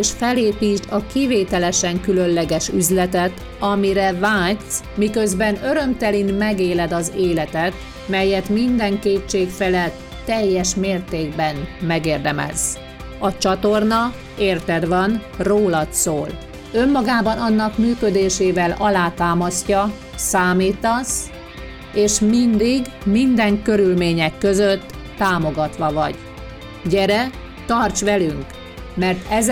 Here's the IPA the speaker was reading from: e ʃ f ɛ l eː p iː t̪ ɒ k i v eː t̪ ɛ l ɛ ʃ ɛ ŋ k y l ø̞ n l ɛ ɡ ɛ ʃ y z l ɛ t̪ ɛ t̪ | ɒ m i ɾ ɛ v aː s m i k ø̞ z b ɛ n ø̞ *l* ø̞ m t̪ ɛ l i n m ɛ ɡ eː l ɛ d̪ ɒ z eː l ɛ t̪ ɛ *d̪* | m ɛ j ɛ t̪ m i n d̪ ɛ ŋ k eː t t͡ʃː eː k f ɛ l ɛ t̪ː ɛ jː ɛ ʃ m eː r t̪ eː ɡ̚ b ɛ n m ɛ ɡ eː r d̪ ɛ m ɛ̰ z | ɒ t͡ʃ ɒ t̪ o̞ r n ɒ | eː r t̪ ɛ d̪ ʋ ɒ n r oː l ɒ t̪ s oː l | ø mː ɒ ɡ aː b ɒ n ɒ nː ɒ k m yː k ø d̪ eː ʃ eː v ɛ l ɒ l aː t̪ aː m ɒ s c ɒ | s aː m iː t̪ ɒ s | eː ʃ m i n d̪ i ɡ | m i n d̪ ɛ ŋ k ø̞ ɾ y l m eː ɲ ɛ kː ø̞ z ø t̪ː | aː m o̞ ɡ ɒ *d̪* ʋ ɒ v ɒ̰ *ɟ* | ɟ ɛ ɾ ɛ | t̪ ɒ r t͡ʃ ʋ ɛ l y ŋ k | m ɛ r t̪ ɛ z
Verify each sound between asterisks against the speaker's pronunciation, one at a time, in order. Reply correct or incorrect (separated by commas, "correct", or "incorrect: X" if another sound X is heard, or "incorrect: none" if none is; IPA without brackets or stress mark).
incorrect: ɾ, incorrect: t̪, incorrect: t̪, correct